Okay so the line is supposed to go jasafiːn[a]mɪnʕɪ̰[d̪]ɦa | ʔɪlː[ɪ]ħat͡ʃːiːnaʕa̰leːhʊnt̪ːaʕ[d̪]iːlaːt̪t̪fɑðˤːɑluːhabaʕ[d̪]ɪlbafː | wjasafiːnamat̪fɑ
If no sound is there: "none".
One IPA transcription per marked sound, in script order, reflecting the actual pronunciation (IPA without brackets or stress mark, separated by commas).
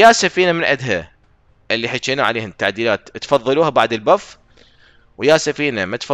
a, d̪, i, d̪, d̪